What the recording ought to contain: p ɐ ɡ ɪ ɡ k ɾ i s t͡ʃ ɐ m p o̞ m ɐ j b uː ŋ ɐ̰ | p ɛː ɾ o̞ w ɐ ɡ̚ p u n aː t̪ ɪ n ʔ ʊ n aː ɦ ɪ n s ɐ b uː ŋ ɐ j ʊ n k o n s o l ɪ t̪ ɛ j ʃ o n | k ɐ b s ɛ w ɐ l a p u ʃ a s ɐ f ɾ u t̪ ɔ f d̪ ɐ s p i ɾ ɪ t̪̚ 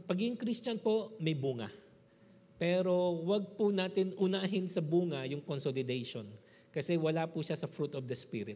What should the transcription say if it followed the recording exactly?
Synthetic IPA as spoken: p ɐ ɡ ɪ ŋ k ɾ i s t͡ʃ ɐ n p o̞ m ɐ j b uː ŋ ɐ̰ | p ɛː ɾ o̞ w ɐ ɡ̚ p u n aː t̪ ɪ n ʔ ʊ n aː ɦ ɪ n s ɐ b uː ŋ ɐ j ʊ ŋ k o n s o l ɪ d̪ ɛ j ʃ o n | k ɐ s ɛ w ɐ l a p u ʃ a s ɐ f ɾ u t̪ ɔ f d̪ ɐ s p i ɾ ɪ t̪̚